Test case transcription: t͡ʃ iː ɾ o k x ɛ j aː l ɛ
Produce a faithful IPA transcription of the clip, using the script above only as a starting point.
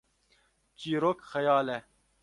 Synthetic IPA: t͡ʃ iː ɾ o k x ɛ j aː l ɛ